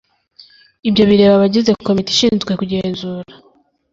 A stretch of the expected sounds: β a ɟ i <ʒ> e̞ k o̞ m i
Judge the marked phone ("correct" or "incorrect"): incorrect